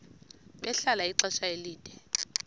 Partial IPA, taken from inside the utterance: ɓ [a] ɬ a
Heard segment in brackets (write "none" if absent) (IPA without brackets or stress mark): ɛ